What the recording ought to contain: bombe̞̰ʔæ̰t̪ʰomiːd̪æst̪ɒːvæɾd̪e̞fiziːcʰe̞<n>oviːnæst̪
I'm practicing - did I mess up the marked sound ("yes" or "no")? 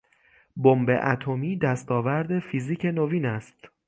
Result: no